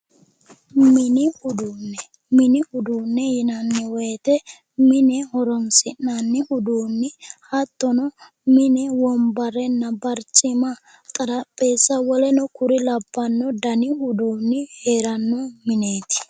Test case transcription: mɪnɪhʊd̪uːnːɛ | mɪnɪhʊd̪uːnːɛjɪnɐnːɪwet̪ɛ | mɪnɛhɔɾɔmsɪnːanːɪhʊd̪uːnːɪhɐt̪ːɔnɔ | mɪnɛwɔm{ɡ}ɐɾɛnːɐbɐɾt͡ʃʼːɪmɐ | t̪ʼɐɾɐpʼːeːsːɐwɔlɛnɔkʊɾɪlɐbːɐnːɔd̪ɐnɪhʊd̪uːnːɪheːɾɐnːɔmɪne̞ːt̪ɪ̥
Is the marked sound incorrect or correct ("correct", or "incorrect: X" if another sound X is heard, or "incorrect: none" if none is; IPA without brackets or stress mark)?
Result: incorrect: b